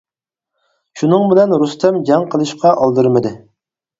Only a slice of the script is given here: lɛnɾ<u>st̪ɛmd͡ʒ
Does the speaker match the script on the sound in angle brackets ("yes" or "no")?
yes